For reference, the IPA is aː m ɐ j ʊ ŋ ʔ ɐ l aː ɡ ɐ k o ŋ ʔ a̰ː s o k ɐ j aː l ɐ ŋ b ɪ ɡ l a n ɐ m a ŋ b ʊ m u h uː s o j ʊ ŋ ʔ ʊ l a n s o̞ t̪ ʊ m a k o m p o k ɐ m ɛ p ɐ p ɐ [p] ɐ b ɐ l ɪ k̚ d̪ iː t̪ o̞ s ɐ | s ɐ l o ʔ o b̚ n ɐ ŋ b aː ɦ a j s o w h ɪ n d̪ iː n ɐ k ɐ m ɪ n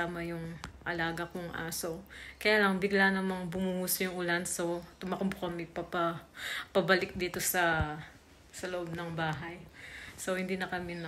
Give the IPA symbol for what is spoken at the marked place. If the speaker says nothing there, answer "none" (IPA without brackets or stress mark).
p